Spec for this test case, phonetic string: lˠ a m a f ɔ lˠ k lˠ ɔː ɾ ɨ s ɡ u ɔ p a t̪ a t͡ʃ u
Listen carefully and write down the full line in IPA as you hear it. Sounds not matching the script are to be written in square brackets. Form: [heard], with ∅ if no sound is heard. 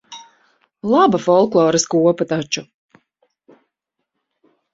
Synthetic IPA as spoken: lˠ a [b] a f ɔ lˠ k lˠ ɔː ɾ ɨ s [k] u ɔ p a t̪ a t͡ʃ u